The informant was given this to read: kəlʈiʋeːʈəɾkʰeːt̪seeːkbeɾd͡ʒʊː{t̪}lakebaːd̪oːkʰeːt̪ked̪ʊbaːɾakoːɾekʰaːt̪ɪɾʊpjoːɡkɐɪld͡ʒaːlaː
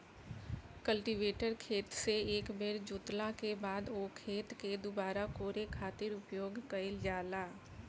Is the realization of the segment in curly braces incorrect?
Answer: no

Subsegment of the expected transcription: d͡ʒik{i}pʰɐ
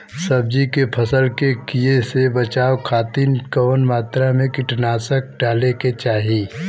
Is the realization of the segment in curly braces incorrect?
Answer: yes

